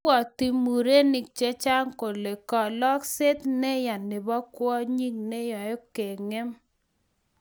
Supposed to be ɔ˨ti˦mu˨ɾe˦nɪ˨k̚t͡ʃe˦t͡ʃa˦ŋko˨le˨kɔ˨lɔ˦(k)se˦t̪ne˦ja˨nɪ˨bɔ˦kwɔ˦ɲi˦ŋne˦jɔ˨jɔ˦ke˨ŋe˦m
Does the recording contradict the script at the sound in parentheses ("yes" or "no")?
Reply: no